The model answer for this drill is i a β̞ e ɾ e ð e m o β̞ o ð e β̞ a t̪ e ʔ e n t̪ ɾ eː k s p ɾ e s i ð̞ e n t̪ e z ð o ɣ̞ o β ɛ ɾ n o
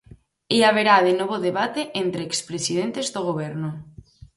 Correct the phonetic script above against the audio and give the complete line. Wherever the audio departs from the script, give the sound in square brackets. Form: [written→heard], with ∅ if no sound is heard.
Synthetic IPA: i a β̞ e ɾ [e→a] ð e [m→n] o β̞ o ð e β̞ a t̪ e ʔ e n t̪ ɾ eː k s p ɾ e s i ð̞ e n t̪ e z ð o ɣ̞ o β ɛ ɾ n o